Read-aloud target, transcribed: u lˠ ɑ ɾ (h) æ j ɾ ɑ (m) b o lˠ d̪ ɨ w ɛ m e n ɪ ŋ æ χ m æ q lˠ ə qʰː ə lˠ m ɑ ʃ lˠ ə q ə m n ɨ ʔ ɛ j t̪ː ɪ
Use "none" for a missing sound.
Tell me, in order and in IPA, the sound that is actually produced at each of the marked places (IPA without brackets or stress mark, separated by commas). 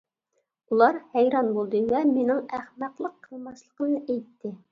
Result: h, n